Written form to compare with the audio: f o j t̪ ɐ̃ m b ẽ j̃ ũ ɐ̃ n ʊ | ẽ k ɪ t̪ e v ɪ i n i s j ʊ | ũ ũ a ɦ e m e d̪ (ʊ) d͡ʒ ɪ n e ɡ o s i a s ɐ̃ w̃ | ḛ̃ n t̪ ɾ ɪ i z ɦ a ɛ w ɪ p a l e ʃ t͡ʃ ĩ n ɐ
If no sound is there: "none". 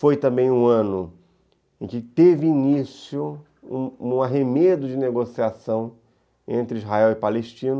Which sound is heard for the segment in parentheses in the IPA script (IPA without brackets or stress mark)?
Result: ʊ